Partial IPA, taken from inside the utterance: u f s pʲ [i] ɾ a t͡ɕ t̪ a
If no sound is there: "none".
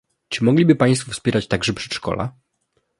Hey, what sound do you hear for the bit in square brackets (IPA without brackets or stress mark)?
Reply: ɛ